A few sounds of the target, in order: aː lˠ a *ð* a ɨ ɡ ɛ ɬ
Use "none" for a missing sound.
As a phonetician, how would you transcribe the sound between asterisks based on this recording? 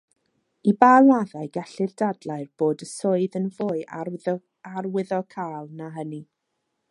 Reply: ð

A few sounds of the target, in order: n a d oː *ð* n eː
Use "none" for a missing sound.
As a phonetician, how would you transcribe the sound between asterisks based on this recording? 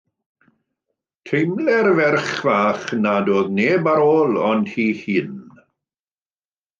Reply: ð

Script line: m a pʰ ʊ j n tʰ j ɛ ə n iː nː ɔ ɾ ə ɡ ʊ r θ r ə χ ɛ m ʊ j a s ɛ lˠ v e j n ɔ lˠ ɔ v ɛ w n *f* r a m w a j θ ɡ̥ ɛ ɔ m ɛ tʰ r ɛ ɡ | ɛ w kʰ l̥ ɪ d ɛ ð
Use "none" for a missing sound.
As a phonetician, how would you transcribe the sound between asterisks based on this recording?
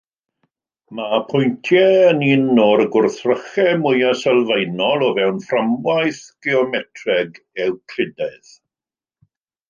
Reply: f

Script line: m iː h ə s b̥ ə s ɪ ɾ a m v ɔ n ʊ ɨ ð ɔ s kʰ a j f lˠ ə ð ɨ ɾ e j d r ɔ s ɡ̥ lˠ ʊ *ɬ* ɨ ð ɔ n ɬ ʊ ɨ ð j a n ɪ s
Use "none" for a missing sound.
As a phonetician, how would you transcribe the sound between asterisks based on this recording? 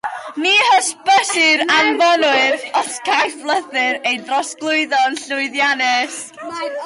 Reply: none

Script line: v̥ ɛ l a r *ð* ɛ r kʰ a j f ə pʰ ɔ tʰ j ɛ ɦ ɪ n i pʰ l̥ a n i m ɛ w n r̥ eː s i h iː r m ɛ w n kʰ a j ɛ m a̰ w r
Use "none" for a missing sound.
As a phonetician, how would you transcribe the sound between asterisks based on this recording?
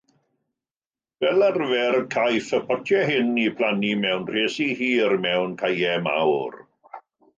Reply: v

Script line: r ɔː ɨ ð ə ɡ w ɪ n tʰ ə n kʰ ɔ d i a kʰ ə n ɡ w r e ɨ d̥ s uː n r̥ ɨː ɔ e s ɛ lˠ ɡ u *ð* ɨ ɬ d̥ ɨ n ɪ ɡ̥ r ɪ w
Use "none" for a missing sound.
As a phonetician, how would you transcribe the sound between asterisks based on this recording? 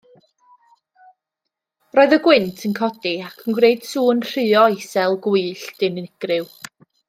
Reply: none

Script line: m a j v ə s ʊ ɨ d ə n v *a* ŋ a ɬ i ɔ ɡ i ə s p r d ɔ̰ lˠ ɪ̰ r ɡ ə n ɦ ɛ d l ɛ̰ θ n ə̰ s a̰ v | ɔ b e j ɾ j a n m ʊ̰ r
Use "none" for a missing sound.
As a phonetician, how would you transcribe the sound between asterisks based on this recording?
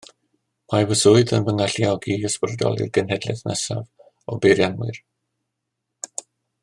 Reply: ə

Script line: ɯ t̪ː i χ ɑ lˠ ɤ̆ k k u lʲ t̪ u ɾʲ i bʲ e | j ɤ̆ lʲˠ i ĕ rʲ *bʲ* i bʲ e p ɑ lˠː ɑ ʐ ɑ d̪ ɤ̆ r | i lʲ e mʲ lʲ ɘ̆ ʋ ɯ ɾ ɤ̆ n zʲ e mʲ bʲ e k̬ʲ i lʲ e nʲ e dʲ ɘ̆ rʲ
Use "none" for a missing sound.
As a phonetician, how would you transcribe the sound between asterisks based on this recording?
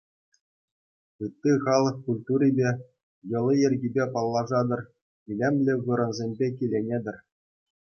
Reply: ɡʲ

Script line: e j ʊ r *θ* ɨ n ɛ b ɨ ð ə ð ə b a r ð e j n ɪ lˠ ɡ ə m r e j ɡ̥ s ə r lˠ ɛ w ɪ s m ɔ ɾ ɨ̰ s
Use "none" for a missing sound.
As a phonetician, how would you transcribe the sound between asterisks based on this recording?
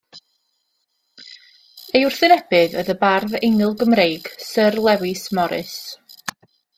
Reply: θ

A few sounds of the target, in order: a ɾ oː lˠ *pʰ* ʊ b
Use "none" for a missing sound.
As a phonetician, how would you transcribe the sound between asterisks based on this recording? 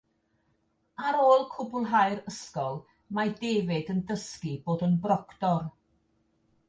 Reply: kʰ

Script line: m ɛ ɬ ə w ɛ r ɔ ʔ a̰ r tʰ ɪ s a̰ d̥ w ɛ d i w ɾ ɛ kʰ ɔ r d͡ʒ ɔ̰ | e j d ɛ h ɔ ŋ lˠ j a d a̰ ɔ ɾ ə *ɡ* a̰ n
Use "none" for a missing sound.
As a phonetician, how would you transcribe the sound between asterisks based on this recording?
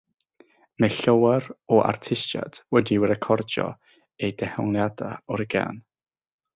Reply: ɡ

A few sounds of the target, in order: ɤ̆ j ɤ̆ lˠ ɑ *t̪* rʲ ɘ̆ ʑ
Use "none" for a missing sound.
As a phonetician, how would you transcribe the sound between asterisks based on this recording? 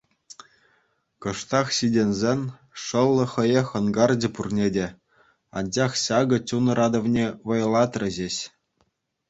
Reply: t̪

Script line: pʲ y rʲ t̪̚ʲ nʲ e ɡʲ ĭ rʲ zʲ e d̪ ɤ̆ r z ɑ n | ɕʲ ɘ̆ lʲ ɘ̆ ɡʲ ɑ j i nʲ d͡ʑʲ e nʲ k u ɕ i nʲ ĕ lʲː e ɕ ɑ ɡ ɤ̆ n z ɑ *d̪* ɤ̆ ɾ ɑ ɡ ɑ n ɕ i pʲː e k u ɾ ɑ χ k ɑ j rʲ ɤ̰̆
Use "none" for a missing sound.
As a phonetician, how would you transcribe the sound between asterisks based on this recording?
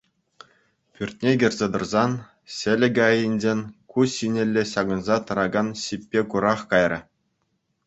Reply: t̪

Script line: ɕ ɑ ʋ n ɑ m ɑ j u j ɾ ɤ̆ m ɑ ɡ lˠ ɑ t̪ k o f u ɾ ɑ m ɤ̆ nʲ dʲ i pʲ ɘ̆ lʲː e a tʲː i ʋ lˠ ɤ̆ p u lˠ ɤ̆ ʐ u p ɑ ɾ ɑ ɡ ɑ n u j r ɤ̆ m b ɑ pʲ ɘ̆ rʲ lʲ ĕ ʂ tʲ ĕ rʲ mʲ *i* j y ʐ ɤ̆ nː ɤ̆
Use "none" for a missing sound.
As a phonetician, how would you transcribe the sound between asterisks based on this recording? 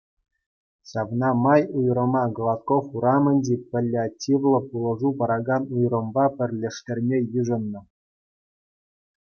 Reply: e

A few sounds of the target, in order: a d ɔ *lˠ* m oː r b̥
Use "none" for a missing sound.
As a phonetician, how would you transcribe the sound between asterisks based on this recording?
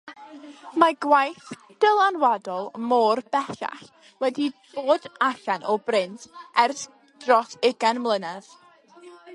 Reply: lˠ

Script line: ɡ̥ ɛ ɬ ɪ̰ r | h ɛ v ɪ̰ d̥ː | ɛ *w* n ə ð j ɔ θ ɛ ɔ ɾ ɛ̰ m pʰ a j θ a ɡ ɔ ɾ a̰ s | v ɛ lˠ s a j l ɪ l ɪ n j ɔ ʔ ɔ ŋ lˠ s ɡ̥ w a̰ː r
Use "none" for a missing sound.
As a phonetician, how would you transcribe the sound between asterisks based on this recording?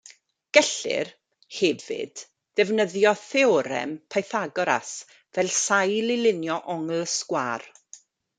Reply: v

